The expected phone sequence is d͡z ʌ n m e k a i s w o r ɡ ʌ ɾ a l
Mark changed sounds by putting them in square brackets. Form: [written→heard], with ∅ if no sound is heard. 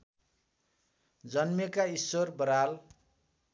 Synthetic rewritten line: d͡z ʌ n m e k a i s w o r [ɡ→b] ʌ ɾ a l